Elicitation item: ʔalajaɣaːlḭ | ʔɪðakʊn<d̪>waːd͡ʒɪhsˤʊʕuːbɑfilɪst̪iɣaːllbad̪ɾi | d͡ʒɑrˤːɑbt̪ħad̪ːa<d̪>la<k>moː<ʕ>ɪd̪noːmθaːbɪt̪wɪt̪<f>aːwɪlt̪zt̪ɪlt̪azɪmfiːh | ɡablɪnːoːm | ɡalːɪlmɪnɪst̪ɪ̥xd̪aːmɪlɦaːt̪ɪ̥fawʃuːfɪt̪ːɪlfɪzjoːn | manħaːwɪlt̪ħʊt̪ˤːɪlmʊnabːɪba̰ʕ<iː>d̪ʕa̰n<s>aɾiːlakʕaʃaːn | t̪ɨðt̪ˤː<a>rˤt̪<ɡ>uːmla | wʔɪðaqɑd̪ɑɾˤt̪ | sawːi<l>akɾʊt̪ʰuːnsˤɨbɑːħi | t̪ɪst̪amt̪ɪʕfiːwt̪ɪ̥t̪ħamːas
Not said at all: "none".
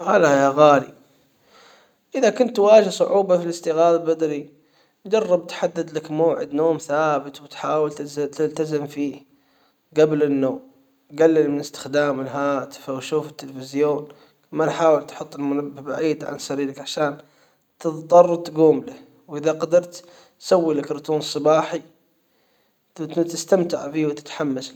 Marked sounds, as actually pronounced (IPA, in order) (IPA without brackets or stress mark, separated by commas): t̪, d̪, k, ʕ, ħ, iː, s, ɑ, ɡ, l